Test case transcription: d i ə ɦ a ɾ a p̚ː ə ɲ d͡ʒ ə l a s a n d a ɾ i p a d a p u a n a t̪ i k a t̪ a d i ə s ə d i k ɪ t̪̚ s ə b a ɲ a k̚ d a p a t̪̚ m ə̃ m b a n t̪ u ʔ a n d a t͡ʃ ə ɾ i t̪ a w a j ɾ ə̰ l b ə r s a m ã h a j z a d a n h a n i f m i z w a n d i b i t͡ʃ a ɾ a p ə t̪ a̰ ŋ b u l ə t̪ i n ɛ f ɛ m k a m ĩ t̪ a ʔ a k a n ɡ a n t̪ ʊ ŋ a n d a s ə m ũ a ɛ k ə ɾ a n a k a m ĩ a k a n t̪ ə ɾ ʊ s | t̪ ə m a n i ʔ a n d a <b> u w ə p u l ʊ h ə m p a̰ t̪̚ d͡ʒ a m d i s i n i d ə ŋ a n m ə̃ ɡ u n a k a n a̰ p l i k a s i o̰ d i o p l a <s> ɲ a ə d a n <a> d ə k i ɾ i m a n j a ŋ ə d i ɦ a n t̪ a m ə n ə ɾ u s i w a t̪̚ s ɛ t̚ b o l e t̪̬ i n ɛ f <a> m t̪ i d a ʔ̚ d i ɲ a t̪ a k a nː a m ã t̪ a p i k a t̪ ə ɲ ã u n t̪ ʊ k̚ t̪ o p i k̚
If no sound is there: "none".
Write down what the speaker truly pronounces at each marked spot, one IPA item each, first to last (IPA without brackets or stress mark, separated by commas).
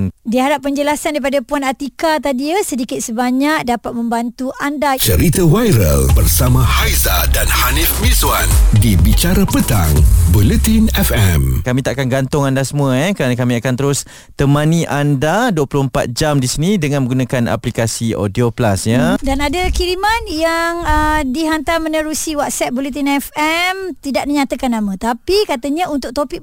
d, s, a, ɛ